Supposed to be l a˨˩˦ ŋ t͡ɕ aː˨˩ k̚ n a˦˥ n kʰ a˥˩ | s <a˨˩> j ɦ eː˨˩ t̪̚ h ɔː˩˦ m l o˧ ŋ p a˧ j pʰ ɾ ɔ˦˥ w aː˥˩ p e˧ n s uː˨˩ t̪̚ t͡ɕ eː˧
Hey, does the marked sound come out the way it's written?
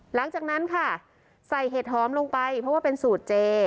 yes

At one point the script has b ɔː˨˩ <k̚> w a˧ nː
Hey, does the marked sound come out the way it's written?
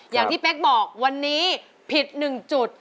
yes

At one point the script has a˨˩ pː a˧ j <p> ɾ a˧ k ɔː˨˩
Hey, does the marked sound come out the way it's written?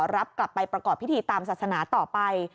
yes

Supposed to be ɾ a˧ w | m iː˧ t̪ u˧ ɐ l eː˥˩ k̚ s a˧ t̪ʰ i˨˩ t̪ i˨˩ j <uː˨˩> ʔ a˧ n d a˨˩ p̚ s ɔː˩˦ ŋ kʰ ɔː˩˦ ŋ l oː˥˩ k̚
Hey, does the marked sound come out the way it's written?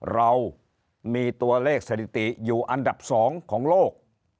yes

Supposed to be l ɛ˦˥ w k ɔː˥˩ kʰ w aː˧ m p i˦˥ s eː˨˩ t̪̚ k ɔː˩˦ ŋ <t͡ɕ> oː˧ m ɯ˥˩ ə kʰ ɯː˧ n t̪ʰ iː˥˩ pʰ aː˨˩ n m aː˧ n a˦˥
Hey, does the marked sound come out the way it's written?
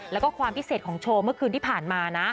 no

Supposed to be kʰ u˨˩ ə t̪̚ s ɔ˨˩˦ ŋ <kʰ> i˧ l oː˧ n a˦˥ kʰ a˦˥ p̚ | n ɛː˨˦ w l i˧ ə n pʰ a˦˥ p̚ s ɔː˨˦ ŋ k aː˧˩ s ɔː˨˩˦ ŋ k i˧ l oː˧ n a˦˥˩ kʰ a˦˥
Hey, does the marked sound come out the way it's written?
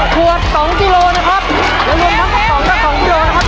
no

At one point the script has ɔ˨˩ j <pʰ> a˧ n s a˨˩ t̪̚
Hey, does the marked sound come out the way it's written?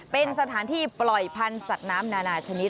yes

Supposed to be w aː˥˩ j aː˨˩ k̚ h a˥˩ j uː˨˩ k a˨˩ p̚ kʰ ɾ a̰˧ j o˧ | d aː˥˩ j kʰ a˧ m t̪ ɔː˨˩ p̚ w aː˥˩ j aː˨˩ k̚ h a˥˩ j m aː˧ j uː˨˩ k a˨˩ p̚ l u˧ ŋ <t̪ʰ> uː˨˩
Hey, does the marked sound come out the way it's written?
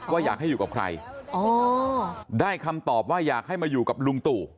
no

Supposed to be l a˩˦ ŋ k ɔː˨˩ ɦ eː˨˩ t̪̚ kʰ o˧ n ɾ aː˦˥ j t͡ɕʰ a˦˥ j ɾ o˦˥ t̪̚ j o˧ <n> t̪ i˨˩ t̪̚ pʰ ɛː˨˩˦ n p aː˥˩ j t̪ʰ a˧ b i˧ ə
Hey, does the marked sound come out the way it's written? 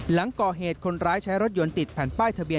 yes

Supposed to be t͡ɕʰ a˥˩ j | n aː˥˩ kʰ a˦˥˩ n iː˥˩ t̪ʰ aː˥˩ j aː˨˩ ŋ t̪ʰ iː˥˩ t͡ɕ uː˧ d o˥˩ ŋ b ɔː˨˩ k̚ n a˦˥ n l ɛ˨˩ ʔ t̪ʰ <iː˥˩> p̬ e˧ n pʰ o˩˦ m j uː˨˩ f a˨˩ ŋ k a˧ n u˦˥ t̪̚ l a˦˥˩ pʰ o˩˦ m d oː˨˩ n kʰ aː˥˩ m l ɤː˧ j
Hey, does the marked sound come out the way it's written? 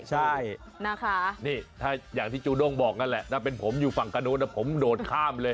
no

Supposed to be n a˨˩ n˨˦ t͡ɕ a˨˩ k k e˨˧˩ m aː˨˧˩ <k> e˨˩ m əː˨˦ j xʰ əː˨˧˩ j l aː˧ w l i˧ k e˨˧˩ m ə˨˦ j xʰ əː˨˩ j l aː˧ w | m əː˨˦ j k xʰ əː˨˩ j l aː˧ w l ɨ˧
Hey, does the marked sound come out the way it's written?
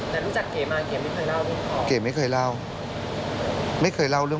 yes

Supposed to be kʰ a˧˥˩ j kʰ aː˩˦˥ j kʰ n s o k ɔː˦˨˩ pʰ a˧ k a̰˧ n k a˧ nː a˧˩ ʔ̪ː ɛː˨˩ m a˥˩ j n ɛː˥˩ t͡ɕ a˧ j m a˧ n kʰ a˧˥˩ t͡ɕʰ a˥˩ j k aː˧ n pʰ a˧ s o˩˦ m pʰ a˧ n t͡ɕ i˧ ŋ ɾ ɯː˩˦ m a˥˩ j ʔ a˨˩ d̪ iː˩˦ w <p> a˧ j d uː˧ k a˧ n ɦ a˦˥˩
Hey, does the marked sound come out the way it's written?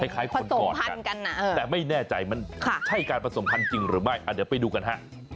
yes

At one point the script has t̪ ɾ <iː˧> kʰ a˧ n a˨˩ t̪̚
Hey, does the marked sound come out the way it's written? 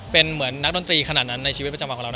yes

